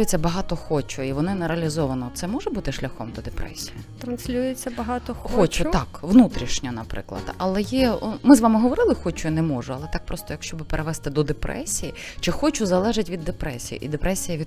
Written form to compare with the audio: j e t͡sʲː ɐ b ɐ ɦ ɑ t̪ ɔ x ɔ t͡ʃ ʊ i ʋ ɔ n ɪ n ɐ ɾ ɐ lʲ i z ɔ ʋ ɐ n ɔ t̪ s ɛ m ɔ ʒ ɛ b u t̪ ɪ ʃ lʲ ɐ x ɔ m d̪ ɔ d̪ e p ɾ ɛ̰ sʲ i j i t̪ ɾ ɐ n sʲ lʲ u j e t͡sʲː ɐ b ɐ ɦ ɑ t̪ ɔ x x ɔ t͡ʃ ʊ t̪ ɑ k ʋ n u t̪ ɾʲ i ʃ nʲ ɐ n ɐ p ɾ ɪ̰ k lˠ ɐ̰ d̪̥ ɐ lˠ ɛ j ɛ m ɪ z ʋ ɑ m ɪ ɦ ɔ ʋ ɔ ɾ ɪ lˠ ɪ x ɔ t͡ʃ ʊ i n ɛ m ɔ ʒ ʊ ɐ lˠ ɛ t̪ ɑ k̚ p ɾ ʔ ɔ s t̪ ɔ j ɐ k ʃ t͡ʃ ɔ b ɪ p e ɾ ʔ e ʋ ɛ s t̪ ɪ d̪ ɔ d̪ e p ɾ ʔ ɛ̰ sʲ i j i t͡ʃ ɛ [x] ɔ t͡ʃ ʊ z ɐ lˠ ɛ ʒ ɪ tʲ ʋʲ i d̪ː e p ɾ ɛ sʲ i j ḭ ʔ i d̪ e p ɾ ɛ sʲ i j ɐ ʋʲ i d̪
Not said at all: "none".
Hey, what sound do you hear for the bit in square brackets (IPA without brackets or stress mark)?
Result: x